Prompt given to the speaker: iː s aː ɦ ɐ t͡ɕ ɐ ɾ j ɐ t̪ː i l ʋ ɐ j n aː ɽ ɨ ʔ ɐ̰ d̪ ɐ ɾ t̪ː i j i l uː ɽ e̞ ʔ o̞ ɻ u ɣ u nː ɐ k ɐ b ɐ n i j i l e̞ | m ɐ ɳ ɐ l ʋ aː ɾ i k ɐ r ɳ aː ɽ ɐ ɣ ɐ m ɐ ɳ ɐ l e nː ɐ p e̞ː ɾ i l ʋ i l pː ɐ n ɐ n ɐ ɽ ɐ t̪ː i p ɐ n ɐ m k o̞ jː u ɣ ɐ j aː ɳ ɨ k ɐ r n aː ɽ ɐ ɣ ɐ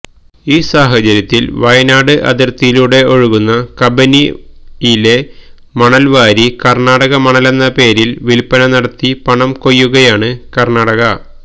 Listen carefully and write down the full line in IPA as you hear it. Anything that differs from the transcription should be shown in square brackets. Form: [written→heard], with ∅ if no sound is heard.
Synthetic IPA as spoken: iː s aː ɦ ɐ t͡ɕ ɐ ɾ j ɐ t̪ː i l ʋ ɐ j n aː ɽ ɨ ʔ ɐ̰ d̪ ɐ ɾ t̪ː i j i l uː ɽ e̞ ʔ o̞ ɻ u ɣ u nː ɐ k ɐ b ɐ n i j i l e̞ | m ɐ ɳ ɐ l ʋ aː ɾ i k ɐ r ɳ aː ɽ ɐ ɣ ɐ m ɐ ɳ ɐ l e nː ɐ p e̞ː ɾ i l ʋ i l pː ɐ n ɐ n ɐ ɽ ɐ t̪ː i p ɐ [n→ɳ] ɐ m k o̞ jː u ɣ ɐ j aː ɳ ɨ k ɐ r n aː ɽ ɐ ɣ ɐ